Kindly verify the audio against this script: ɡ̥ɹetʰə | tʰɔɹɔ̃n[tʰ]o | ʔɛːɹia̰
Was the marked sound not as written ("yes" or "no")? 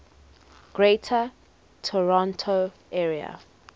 no